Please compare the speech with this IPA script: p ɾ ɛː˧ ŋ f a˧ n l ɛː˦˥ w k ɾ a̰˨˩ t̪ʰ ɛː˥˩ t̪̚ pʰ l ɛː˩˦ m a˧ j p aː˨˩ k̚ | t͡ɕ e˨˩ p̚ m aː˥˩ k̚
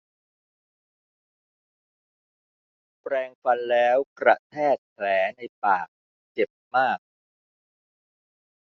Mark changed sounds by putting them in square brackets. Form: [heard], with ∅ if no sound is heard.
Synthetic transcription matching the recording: p ɾ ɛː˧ ŋ f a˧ n l ɛː˦˥ w k ɾ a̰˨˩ t̪ʰ ɛː˥˩ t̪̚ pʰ l ɛː˩˦ [n] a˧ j p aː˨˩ k̚ | t͡ɕ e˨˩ p̚ m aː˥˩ k̚